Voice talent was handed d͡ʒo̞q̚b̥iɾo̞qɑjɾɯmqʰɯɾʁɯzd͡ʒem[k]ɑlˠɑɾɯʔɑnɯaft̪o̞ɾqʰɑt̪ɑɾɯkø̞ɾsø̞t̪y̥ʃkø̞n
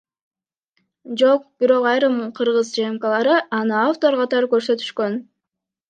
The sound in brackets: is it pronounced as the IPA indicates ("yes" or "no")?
yes